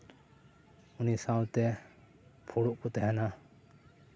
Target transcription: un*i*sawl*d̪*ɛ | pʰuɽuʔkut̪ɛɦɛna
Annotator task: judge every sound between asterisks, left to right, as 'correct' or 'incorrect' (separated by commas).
correct, incorrect